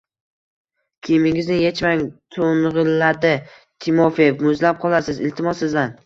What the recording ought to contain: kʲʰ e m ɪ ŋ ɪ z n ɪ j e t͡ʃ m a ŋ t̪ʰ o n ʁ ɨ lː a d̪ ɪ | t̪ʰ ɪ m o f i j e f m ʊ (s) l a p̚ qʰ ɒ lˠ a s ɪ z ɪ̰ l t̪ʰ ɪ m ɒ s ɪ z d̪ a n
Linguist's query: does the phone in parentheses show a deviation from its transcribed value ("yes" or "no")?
yes